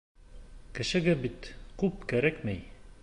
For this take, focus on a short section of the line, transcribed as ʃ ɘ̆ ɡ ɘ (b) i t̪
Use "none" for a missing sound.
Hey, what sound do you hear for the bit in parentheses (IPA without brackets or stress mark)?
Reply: b